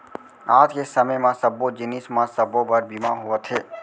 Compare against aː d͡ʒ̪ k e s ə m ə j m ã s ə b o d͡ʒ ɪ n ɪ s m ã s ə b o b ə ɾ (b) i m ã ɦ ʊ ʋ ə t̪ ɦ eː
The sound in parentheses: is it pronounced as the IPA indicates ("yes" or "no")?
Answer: yes